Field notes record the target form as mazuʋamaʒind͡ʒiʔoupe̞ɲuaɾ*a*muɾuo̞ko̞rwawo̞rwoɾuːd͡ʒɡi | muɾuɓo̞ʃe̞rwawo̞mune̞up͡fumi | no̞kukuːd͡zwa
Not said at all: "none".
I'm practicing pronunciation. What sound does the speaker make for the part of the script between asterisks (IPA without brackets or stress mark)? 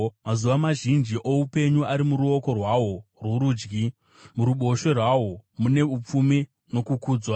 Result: i